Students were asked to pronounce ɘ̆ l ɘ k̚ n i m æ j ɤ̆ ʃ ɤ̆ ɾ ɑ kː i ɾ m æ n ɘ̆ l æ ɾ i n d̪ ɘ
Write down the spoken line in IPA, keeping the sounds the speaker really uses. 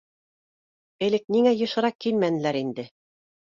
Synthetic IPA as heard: ɘ̆ l ɘ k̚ n i ŋ æ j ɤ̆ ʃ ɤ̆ ɾ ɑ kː i l m æ n ɘ̆ l æ ɾ i n d̪ ɘ